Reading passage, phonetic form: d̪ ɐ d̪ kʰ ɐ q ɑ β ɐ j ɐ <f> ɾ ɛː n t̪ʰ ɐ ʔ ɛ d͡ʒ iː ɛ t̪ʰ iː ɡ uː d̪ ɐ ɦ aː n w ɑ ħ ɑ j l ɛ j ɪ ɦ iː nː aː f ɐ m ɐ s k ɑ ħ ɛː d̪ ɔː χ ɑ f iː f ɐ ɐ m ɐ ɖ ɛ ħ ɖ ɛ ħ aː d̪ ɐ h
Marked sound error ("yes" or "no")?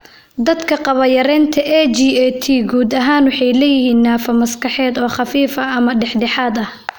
yes